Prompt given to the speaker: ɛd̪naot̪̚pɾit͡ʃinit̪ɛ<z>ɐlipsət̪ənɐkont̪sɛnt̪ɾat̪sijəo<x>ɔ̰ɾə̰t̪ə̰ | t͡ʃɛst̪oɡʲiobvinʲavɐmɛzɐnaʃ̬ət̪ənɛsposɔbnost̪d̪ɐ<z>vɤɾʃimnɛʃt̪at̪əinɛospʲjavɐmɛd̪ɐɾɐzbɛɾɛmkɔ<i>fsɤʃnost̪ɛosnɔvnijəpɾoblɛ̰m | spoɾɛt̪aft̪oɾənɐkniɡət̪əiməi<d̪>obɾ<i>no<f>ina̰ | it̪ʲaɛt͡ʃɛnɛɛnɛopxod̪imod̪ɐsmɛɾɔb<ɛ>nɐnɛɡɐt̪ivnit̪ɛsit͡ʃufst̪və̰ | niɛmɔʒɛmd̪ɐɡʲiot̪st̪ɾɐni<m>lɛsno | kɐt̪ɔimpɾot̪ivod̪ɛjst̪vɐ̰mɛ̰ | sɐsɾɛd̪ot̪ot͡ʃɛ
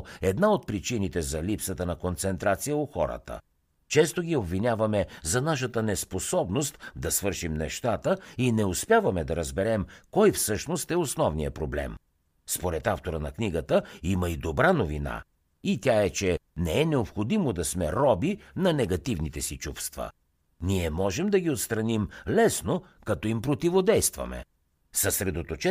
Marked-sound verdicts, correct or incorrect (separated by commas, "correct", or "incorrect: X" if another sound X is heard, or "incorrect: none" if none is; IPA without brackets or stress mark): correct, correct, incorrect: s, incorrect: j, correct, incorrect: a, incorrect: v, incorrect: i, correct